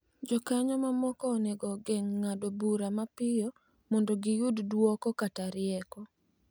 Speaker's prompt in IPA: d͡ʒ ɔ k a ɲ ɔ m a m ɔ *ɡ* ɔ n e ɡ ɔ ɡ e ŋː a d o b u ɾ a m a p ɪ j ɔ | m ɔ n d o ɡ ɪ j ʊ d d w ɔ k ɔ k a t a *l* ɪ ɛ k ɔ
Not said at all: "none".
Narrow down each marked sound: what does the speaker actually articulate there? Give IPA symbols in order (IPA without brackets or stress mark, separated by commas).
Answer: k, ɾ